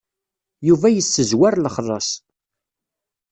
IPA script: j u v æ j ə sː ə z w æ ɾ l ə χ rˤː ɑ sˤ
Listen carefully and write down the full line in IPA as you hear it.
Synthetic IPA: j u v æ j ə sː ə z w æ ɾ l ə χ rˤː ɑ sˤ